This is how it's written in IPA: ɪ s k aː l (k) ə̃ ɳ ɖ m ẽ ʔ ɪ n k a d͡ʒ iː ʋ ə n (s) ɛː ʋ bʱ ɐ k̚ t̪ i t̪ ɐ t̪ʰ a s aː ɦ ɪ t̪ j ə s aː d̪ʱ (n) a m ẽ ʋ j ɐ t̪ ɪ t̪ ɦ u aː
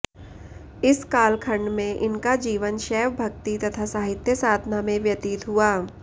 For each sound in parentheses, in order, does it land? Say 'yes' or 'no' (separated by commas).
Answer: no, no, yes